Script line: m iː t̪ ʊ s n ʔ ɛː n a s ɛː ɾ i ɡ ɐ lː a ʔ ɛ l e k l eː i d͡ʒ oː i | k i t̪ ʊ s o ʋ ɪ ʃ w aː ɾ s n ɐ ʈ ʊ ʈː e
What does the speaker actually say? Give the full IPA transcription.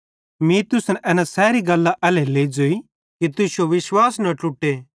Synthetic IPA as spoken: m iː t̪ ʊ s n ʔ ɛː n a s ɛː ɾ i ɡ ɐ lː a ʔ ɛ l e l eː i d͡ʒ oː i | k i t̪ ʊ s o ʋ ɪ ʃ w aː s n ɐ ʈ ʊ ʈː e

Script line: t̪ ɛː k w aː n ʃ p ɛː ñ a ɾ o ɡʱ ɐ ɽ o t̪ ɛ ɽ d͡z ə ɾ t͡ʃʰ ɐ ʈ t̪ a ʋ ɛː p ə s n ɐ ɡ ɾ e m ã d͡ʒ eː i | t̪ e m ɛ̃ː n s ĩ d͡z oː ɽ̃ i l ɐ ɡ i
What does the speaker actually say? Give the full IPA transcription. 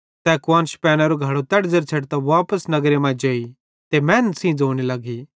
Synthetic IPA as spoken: t̪ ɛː k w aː n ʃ p ɛː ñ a ɾ o ɡʱ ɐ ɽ o t̪ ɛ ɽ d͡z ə ɾ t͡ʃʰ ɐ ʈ t̪ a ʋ aː p ə s n ɐ ɡ ɾ e m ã d͡ʒ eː i | t̪ e m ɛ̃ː n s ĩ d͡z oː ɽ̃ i l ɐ ɡ i

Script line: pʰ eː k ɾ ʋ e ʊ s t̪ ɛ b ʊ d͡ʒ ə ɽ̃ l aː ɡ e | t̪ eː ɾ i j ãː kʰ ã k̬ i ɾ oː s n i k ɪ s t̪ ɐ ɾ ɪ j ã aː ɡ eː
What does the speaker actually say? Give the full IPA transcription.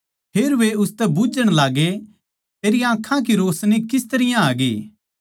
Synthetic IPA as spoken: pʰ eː ɾ ʋ e ʊ s t̪ ɛ b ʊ d͡ʒ ə ɽ̃ l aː ɡ e | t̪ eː ɾ i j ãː kʰ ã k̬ i ɾ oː s n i k ɪ s t̪ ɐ ɾ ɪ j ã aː ɡ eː

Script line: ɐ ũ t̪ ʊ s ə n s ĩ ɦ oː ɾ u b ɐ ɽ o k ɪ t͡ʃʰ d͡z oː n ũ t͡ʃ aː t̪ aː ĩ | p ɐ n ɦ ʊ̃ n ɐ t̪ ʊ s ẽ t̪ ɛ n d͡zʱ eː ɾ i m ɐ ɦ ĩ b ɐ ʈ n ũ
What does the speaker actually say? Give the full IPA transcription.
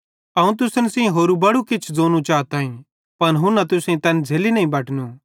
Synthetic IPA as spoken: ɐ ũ t̪ ʊ s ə n s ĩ ɦ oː ɾ u b ɐ ɽ u k ɪ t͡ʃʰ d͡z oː n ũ t͡ʃ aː t̪ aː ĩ | p ɐ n ɦ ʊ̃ n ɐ t̪ ʊ s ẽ t̪ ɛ n d͡zʱ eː l i n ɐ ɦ ĩ b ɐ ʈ n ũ

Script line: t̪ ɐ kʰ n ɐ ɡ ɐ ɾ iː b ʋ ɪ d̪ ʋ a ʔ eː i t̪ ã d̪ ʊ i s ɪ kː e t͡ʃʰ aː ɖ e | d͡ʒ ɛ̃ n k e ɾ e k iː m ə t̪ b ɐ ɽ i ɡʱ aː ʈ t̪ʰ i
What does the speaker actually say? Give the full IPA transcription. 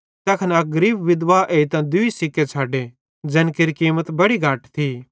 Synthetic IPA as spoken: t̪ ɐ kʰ n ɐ ɡ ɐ ɾ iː b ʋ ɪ d̪ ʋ a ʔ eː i t̪ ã d̪ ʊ i s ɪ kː e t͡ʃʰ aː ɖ e | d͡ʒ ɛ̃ n k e ɾ i k iː m ə t̪ b ɐ ɽ i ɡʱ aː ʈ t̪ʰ i

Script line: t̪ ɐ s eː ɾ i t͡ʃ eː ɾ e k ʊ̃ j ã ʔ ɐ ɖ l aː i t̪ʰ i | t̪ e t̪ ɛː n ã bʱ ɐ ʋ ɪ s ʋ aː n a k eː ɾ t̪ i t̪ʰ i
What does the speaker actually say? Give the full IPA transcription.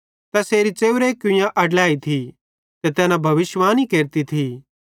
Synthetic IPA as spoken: t̪ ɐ s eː ɾ i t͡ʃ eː ɾ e k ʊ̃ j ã ʔ ɐ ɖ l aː i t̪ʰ i | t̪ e t̪ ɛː n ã bʱ ɐ ʋ ɪ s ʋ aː n i k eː ɾ t̪ i t̪ʰ i

